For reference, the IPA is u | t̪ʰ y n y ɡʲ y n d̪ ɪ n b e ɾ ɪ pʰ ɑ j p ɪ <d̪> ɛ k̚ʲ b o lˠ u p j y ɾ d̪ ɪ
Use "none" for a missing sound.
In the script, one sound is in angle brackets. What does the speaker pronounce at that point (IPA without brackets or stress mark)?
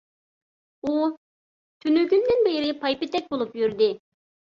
t̪